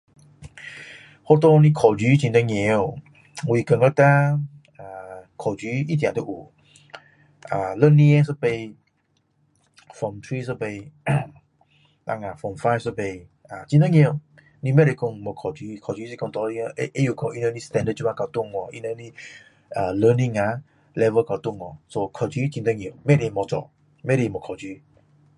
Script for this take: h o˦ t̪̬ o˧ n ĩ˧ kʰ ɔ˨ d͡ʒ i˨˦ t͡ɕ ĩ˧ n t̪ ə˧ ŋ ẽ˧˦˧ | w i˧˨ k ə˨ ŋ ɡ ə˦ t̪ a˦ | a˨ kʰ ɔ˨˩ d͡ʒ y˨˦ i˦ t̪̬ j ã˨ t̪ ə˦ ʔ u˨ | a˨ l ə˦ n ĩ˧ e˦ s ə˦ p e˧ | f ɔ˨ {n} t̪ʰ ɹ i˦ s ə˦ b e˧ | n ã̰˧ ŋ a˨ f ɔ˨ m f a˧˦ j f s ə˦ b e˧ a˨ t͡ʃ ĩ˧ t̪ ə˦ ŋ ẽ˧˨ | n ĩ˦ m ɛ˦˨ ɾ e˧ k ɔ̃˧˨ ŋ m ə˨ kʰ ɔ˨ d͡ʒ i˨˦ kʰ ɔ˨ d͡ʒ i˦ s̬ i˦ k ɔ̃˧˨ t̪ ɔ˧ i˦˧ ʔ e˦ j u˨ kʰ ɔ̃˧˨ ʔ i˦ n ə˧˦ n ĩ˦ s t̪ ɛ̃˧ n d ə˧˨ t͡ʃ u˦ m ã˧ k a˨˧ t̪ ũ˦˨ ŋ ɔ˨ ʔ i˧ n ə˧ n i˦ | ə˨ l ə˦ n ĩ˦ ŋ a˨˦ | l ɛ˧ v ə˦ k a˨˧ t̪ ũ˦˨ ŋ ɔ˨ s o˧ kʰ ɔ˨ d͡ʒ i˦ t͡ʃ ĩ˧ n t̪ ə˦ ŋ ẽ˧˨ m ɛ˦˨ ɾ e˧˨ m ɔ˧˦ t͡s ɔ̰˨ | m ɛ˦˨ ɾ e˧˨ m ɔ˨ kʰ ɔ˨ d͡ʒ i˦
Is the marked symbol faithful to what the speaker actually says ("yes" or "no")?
no